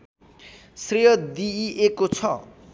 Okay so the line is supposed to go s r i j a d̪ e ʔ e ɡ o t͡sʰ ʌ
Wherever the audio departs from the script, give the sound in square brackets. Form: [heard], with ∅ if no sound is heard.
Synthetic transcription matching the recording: s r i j [ʌ] d̪ [i] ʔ e [k] o t͡sʰ ʌ